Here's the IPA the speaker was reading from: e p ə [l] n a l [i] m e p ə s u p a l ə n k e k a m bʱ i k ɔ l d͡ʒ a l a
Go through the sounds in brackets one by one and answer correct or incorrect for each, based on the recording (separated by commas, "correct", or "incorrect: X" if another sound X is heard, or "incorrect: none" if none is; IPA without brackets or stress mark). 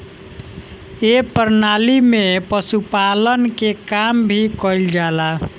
incorrect: ɾ, correct